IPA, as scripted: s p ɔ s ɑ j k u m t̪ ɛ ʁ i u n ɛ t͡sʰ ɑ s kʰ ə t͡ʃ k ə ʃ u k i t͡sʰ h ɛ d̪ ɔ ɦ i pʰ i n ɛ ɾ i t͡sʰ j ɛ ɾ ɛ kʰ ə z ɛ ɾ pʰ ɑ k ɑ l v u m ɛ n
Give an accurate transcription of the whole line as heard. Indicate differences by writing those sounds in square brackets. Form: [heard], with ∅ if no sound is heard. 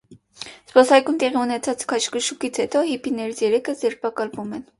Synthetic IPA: s p ɔ s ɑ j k u m t̪ ɛ ʁ i u n ɛ t͡sʰ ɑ [t͡s] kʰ [ɑ] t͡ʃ k ə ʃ u k i t͡sʰ h ɛ [t̪] ɔ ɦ i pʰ i n ɛ ɾ i t͡sʰ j ɛ ɾ ɛ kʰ ə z ɛ ɾ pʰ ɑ k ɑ l v u m ɛ n